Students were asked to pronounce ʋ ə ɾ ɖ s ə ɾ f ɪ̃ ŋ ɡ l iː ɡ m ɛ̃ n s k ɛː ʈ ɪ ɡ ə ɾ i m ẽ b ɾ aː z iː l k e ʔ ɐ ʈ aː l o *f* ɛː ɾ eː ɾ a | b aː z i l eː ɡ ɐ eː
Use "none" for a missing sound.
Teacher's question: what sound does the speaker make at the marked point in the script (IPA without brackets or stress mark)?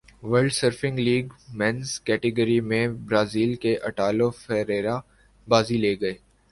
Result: f